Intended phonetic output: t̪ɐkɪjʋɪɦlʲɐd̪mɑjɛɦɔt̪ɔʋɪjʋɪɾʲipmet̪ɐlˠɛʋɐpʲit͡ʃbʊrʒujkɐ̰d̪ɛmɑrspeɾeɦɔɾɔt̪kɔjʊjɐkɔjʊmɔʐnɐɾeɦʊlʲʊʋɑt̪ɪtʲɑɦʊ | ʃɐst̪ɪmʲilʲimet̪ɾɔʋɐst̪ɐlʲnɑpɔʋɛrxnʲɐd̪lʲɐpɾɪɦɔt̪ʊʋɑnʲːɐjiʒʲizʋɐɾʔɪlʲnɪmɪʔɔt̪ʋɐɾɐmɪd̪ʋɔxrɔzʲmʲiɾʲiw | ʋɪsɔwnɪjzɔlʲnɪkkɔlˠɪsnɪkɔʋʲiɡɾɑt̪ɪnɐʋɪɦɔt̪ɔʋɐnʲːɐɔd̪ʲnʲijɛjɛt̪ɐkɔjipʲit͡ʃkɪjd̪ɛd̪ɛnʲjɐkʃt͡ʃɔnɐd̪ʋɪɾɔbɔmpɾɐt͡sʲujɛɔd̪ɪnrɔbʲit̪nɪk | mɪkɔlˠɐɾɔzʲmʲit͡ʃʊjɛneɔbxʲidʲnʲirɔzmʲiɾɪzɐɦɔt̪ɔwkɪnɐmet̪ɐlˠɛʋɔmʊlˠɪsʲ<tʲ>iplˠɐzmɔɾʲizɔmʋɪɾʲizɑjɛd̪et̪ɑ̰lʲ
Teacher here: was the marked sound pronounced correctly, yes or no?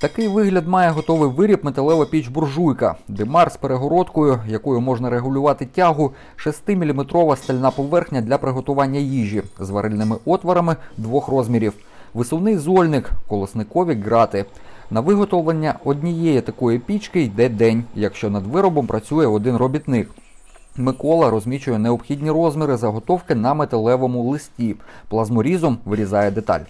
yes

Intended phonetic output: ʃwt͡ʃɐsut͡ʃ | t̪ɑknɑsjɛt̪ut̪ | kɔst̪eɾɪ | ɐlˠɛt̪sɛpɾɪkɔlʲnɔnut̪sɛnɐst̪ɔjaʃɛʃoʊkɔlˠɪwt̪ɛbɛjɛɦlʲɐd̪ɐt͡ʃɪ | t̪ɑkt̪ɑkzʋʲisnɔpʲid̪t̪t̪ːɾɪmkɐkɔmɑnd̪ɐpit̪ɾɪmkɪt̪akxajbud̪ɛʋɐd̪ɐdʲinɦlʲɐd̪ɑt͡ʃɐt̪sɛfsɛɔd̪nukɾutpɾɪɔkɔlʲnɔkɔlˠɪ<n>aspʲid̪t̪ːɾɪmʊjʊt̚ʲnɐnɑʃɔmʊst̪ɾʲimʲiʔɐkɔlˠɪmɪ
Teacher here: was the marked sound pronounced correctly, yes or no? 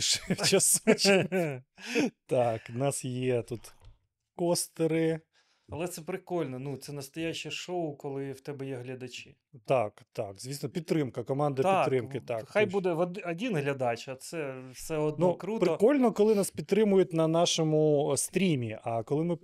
yes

